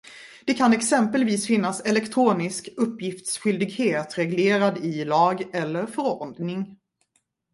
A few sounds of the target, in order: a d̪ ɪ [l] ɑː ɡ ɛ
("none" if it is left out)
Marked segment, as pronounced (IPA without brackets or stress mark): l